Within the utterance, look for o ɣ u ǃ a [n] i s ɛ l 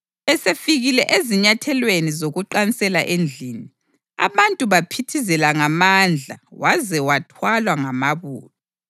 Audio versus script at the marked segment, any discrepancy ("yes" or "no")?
no